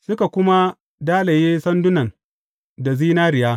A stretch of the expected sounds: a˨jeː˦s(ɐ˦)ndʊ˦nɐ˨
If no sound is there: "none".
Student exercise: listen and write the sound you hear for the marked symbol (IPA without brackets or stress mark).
ɐ˦